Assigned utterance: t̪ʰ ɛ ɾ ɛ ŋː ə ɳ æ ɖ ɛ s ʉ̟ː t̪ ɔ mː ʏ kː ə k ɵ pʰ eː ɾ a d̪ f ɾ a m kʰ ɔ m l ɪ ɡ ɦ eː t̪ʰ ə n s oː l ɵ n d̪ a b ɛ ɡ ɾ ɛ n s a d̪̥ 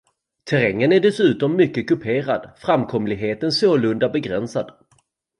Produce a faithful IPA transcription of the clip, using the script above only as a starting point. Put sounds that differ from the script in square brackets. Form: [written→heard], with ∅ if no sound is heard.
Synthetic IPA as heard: t̪ʰ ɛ ɾ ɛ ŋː ə [ɳ→n] æ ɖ ɛ s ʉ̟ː t̪ ɔ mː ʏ kː ə k ɵ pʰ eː ɾ a d̪ f ɾ a m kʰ ɔ m l ɪ ɡ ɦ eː [t̪ʰ→t̪] ə n s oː l ɵ n d̪ a b ɛ ɡ ɾ ɛ n s a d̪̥